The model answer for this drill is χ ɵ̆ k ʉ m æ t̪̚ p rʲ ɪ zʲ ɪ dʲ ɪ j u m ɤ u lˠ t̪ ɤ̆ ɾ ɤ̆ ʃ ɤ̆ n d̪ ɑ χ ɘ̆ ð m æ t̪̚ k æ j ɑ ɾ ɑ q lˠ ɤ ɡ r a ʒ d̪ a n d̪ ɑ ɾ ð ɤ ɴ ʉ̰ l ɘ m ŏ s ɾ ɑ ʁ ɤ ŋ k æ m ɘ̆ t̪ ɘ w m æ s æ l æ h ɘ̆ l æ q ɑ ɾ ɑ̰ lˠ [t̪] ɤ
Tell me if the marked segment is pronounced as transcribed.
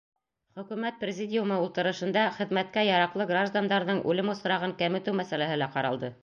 no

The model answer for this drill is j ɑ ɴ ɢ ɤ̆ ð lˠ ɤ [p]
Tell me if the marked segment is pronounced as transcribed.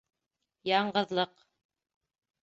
no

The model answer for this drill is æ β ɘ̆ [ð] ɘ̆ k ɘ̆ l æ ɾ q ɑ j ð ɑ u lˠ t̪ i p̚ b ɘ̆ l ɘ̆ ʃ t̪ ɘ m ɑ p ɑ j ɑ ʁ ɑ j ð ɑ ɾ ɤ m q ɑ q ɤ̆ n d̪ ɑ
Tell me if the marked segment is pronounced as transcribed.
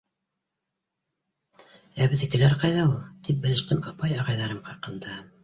yes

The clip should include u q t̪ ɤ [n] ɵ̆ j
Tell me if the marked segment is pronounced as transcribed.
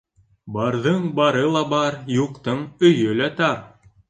no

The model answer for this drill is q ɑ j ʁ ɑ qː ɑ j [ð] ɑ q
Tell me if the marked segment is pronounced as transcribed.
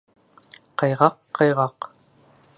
no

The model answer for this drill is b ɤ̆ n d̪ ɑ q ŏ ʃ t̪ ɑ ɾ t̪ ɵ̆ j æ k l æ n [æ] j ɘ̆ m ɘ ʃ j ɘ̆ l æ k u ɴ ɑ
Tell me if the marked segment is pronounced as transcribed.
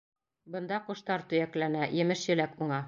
yes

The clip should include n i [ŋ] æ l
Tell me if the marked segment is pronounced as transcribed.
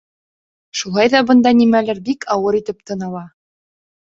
no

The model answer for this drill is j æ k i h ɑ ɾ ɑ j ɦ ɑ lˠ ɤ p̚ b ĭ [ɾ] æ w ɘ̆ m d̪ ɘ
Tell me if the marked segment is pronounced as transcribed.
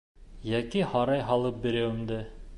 yes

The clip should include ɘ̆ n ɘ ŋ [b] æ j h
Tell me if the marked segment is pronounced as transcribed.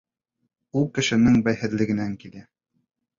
yes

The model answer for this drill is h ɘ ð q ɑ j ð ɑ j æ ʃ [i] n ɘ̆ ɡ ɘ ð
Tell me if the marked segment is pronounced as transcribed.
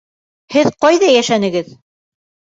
no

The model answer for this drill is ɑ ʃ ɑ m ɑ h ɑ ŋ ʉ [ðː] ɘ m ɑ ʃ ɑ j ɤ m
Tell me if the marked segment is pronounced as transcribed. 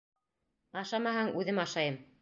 no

